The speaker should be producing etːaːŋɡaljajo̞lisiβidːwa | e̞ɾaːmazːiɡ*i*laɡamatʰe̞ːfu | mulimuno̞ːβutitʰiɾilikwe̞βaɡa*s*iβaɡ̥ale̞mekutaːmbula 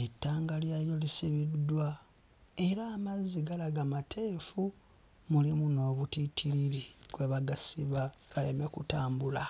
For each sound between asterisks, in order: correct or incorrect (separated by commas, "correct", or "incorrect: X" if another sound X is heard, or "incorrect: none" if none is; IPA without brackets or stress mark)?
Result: incorrect: a, correct